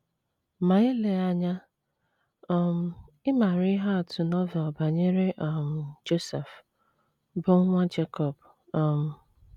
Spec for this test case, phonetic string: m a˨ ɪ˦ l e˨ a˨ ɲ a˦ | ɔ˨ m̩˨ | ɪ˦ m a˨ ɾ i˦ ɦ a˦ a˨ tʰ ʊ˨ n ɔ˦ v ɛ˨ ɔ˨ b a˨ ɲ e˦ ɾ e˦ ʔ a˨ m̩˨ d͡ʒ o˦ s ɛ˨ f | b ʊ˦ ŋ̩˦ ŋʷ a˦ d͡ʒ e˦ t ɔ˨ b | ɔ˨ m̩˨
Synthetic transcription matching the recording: m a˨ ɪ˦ l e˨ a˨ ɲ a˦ | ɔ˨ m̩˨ | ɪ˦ m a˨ ɾ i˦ ɦ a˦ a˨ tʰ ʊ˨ n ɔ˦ v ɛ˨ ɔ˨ b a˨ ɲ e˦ ɾ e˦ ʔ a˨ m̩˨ d͡ʒ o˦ s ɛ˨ f | b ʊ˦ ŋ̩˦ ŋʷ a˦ d͡ʒ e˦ k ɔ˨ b | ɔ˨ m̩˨